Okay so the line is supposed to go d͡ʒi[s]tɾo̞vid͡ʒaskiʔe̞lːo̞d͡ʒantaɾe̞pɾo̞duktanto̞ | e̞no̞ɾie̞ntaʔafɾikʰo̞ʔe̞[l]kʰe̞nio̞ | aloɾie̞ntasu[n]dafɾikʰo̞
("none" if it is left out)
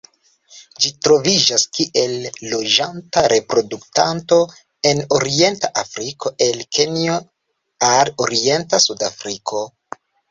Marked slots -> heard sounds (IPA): none, l, none

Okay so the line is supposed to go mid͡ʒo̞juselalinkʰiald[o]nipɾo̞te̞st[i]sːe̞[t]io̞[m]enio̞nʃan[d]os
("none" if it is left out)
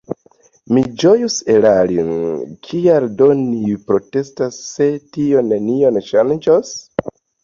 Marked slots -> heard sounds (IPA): o, a, t, n, d͡ʒ

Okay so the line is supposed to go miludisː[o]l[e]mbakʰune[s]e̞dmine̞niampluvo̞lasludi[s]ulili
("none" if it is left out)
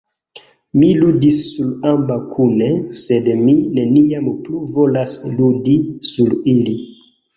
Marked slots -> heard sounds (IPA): u, a, s, s

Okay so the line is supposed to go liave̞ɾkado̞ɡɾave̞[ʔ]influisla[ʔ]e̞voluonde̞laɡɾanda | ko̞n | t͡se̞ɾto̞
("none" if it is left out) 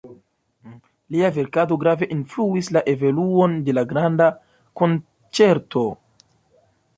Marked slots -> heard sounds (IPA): ʔ, ʔ

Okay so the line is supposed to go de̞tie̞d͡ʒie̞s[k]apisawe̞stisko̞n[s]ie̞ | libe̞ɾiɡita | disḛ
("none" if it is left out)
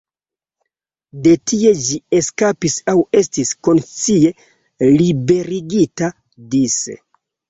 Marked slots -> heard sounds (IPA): k, t͡s

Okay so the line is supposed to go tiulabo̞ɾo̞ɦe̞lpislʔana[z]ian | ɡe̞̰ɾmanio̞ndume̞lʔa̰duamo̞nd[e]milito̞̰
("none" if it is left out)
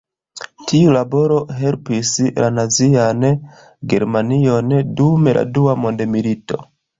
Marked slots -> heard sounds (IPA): z, e

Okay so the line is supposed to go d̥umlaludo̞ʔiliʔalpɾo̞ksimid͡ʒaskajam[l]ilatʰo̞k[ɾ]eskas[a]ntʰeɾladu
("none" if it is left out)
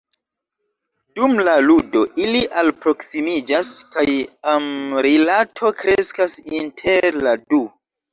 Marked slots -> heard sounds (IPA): ɾ, ɾ, i

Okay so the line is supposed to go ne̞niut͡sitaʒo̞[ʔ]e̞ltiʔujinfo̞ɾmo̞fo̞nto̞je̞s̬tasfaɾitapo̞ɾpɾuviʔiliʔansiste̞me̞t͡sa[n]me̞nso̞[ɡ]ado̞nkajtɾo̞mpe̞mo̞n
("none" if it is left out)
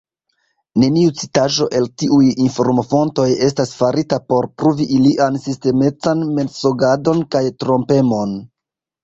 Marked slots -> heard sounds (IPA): ʔ, n, ɡ

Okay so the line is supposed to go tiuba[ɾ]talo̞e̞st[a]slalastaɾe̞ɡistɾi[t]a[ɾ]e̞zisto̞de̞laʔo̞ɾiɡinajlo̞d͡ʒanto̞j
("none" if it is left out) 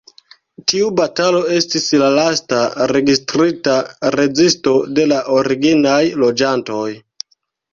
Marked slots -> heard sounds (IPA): none, i, t, ɾ

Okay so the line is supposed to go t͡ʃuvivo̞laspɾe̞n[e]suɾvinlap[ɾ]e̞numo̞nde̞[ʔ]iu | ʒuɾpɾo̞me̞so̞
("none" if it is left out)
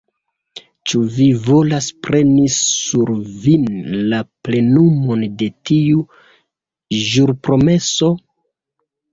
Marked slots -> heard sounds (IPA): i, l, t

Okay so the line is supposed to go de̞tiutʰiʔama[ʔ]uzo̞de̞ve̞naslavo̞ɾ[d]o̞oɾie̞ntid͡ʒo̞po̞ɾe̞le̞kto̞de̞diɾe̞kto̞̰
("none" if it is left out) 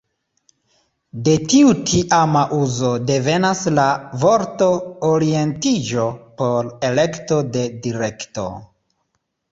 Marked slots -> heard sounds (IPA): ʔ, t

